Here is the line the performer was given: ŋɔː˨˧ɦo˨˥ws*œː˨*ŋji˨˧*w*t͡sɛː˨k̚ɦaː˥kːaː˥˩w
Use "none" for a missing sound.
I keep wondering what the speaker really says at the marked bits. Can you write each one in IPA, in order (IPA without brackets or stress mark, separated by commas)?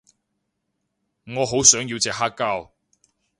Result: œː˨˥, w